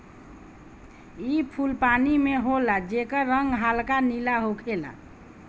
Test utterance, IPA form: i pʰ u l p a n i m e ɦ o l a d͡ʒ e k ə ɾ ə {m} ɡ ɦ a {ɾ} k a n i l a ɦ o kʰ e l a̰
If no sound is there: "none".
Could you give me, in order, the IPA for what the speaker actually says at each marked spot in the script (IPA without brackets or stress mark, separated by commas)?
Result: ŋ, l